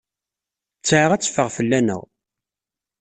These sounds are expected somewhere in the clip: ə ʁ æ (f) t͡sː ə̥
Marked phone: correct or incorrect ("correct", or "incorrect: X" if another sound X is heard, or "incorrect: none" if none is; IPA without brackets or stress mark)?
incorrect: none